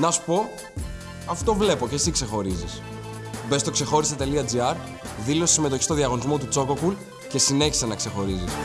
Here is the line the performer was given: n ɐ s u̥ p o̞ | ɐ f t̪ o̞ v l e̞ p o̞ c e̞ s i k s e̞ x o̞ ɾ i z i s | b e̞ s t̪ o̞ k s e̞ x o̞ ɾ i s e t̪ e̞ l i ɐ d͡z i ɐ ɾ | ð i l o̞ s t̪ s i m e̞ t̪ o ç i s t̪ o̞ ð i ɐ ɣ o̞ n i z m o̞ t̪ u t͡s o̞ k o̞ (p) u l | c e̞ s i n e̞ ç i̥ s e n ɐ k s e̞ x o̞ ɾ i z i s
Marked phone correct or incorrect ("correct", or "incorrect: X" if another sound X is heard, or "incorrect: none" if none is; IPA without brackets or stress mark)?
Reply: incorrect: k